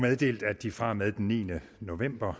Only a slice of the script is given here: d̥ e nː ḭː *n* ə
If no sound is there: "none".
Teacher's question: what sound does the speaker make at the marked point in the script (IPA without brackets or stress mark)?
n